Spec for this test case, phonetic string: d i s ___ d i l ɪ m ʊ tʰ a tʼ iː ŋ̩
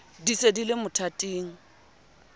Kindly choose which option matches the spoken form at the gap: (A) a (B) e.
B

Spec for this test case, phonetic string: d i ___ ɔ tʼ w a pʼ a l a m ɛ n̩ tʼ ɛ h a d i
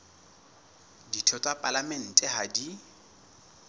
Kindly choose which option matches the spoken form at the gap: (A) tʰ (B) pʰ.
A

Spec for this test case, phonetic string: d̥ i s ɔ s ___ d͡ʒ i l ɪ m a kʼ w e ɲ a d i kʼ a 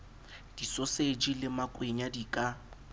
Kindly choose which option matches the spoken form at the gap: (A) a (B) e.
B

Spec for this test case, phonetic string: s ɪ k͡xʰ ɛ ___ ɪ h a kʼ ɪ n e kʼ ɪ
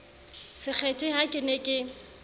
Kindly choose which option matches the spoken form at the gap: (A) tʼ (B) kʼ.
A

